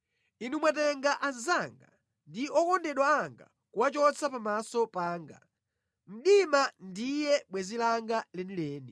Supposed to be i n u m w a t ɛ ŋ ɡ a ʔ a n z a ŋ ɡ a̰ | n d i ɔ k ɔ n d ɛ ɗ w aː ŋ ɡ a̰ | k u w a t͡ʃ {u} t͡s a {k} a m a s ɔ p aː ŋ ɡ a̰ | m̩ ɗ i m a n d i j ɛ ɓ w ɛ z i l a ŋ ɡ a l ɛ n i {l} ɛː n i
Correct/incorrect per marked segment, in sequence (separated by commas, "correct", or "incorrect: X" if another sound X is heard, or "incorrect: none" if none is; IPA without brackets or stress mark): incorrect: ɔ, incorrect: p, correct